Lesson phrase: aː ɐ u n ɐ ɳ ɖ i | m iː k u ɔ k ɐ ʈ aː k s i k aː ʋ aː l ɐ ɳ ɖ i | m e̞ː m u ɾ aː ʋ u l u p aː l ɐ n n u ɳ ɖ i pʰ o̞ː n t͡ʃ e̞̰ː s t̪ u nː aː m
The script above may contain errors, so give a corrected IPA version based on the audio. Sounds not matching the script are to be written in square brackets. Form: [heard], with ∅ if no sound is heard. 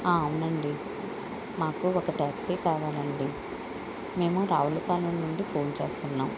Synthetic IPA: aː ɐ u n ɐ ɳ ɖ i | m [aː] k u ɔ k ɐ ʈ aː k s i k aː ʋ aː l ɐ ɳ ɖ i | m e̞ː m u ɾ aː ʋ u l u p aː l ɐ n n u ɳ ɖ i pʰ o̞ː n t͡ʃ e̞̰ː s t̪ u nː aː m